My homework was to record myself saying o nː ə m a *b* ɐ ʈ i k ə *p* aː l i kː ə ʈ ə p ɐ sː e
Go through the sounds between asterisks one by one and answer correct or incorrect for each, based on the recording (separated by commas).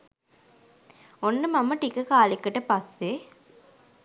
incorrect, incorrect